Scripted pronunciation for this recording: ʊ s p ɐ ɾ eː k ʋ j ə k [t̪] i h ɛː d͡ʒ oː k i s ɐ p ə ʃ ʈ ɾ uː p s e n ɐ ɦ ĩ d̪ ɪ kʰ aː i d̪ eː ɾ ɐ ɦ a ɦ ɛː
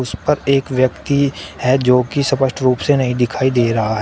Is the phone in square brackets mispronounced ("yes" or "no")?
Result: no